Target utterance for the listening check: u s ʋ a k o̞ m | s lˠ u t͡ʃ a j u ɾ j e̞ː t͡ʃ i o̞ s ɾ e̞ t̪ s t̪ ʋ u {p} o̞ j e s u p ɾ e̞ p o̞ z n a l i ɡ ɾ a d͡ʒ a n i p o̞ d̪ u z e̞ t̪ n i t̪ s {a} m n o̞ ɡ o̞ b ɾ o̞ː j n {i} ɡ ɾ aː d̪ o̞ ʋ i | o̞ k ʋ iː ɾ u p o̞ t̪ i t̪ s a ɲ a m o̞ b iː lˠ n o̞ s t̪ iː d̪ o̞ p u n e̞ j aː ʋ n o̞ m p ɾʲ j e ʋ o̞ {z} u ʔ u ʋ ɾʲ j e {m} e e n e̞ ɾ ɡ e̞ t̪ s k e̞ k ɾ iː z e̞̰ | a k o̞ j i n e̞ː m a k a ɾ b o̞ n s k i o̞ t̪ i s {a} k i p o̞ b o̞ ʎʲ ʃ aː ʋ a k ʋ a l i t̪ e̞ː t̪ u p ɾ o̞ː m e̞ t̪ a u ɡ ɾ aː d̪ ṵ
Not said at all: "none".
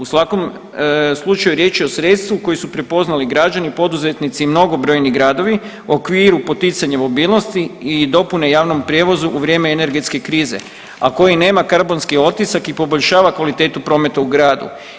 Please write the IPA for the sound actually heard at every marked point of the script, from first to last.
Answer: k, i, i, z, m, a

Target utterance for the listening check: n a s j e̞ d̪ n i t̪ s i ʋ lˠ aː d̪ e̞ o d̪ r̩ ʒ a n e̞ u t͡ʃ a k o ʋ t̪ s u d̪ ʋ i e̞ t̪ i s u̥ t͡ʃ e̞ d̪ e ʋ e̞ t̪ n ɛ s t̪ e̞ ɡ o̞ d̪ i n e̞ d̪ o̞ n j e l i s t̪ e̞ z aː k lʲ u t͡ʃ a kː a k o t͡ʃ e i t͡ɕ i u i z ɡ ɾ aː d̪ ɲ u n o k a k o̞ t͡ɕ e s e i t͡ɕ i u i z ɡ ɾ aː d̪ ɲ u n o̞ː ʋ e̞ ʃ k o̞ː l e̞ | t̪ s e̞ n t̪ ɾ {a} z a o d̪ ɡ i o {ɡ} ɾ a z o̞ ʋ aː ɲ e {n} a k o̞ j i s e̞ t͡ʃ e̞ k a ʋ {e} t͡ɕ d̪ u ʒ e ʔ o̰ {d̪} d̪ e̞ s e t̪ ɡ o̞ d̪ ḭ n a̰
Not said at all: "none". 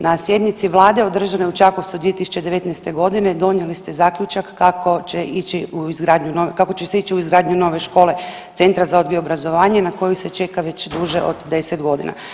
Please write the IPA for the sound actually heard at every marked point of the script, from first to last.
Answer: a, b, n, e, d̪

